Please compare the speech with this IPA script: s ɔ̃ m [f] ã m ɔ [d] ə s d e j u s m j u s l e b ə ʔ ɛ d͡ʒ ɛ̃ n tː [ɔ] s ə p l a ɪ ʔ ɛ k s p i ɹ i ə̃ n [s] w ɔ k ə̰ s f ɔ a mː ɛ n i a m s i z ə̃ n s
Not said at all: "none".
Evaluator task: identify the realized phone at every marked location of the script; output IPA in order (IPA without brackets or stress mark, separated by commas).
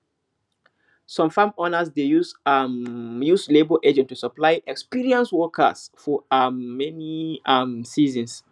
f, n, u, s